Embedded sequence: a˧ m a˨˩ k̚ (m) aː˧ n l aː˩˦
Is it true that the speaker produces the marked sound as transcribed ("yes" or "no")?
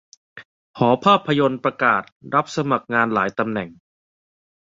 no